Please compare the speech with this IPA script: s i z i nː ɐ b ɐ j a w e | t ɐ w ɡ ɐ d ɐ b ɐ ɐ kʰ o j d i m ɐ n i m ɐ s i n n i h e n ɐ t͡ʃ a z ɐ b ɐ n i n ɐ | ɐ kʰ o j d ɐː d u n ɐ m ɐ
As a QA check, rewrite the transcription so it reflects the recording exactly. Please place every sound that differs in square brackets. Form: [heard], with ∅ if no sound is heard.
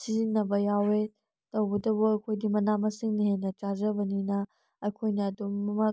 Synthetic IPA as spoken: s i z i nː ɐ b ɐ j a w e | t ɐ w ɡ ɐ d ɐ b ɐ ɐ kʰ o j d i m ɐ n [a] m ɐ s i [ŋ] n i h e n ɐ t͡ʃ a z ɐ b ɐ n i n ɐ | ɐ kʰ o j [n] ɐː d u [m] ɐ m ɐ